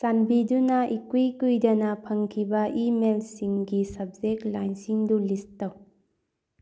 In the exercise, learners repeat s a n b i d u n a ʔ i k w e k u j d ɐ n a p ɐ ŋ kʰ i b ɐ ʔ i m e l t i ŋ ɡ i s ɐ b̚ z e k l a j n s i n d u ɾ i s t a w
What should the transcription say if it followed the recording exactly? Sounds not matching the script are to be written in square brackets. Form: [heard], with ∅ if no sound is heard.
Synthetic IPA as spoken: s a n b i d u n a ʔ i k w [i] k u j d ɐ n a [pʰ] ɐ ŋ kʰ i b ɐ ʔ i m e l [s] i ŋ ɡ i s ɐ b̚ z e k l a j n s i [ŋ] d u [l] i s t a w